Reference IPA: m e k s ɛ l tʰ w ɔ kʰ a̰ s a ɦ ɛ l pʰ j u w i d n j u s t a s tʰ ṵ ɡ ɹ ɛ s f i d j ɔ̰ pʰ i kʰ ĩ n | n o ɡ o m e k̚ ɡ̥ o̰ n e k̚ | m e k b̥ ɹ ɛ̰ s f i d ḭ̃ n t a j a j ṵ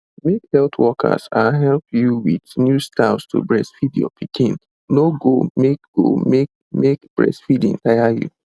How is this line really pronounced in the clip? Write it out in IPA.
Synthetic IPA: m e k h ɛ l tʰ w ɔ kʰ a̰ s a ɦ ɛ l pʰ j u w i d n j u s t a s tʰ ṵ b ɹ ɛ s f i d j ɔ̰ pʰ i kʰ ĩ n | n o ɡ o m e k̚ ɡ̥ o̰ m e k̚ | m e k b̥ ɹ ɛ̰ s f i d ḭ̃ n t a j a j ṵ

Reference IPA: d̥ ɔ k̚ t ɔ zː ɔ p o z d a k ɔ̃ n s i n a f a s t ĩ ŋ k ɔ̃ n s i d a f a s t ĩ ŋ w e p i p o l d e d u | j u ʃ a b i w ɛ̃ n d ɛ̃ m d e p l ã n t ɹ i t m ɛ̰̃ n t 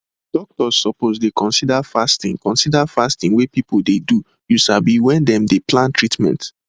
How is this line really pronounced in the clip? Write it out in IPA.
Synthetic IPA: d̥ ɔ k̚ t ɔ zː ɔ p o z d e k ɔ̃ n s i d a f a s t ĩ ŋ k ɔ̃ n s i d a f a s t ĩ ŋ w e p i p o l d e d u | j u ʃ a b i w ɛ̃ n d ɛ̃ m d e p l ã n t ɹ i t m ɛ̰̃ n t

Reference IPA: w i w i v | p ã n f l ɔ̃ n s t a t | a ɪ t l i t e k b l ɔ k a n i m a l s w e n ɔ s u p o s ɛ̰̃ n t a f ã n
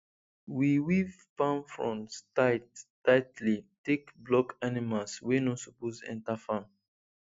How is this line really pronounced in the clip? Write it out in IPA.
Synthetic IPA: w i w i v | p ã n f ɹ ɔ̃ n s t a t | a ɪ t l i t e k b l ɔ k a n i m a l s w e n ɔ s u p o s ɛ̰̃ n t a f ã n

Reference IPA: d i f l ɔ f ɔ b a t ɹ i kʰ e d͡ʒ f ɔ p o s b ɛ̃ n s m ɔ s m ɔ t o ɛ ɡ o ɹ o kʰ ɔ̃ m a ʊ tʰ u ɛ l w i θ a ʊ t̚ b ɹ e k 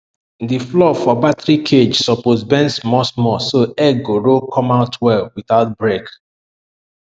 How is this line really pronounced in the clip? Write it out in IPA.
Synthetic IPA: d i f l ɔ f ɔ b a t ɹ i kʰ e d͡ʒ s ɔ p o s b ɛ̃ n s m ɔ s m ɔ s o ɛ ɡ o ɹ o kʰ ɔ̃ m a ʊ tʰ w ɛ l w i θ a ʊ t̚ b ɹ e k

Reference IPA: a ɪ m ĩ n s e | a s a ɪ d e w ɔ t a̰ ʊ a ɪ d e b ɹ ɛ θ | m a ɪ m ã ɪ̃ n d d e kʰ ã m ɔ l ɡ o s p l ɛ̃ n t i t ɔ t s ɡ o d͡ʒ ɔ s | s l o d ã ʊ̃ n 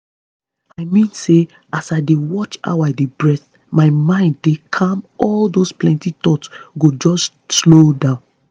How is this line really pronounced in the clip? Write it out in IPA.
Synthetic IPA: a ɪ m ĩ n s e | a s a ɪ d e w ɔ t͡ʃ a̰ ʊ a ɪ d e b ɹ ɛ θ | m a ɪ m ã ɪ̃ n d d e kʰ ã m ɔ l d o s p l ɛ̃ n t i t ɔ t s ɡ o d͡ʒ ɔ s | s l o d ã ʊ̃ n

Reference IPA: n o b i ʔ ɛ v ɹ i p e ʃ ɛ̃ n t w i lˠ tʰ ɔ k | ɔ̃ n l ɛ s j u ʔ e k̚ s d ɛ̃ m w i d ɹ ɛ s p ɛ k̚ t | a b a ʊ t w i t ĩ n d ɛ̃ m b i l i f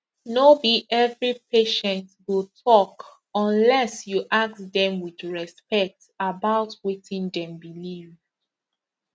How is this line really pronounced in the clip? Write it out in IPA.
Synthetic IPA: n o b i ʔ ɛ v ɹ i p e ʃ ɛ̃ n t w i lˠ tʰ ɔ k | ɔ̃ n l ɛ s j u ʔ a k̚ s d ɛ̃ m w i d ɹ ɛ s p ɛ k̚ t | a b a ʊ t w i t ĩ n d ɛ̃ m b i l i v

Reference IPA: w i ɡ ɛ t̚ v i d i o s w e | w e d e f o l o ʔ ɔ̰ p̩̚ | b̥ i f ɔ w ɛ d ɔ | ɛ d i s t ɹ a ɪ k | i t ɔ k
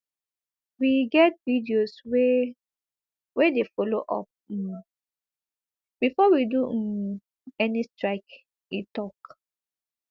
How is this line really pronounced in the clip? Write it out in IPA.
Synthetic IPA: w i ɡ ɛ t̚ v i d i o s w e | w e d e f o l o ʔ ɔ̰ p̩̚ | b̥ i f ɔ w i d u | ɛ n i s t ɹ a ɪ k | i t ɔ k

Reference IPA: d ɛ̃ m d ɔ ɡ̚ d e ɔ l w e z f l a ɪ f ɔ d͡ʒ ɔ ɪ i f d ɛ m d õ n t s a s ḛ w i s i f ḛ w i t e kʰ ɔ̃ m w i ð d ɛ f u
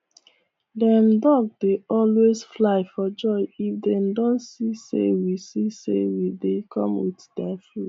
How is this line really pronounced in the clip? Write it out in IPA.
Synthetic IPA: d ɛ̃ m d ɔ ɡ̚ d e ɔ l w e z f l a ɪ f ɔ d͡ʒ ɔ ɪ i f d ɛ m d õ n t s i s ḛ w i s i s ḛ w i d e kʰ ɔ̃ m w i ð d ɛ f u

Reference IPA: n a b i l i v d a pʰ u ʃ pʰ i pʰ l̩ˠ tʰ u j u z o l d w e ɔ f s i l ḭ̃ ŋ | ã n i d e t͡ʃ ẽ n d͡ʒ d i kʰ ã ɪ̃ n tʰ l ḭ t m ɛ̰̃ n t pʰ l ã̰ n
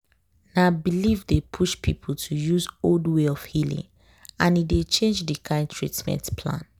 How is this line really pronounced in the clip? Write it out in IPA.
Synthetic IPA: n a b i l i v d e pʰ u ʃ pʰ i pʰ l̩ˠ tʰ u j u z o l d w e ɔ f h i l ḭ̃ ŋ | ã n i d e t͡ʃ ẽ n d͡ʒ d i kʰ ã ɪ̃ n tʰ ɹ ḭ t m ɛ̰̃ n t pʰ l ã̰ n

